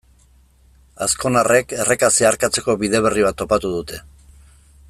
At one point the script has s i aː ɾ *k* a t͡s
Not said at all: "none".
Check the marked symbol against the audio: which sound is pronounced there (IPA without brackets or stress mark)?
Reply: k